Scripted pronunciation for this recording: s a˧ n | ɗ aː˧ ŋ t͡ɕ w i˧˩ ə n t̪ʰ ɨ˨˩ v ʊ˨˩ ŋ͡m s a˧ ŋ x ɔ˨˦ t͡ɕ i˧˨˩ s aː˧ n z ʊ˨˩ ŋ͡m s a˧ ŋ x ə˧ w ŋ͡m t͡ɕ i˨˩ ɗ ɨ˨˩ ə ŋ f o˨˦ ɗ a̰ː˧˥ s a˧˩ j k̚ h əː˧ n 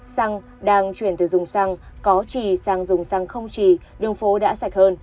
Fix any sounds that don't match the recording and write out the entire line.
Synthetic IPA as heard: s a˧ ŋ | ɗ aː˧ ŋ t͡ɕ w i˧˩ ə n t̪ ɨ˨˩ z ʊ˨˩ ŋ͡m s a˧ ŋ k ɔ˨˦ t͡ɕ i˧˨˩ s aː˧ ŋ z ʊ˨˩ ŋ͡m s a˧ ŋ x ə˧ w ŋ͡m t͡ɕ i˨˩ ɗ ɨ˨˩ ə ŋ f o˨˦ ɗ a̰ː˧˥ s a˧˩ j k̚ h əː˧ n